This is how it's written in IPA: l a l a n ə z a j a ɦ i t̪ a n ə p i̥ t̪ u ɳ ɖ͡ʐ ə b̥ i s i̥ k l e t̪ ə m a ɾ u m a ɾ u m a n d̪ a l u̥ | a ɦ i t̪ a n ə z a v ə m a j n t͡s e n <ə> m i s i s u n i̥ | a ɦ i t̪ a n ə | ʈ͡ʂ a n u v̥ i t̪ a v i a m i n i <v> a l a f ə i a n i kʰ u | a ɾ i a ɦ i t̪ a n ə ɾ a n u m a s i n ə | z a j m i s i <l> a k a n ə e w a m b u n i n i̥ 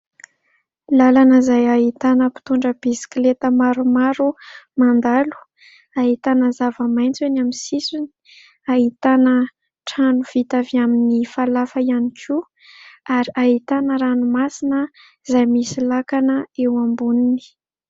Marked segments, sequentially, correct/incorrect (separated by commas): incorrect, incorrect, correct